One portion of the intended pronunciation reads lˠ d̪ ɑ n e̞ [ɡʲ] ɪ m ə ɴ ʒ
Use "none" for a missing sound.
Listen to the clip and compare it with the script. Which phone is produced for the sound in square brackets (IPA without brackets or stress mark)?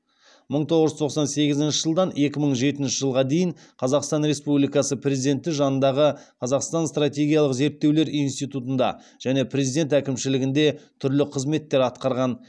kʲ